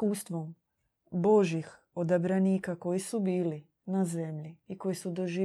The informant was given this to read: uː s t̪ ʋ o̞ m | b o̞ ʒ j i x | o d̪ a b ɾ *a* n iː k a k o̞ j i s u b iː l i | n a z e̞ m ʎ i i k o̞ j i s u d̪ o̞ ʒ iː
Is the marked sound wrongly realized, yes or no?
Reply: no